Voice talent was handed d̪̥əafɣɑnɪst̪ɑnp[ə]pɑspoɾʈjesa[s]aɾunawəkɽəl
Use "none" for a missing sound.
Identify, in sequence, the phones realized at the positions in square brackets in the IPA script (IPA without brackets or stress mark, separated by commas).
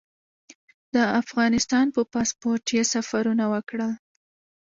ə, f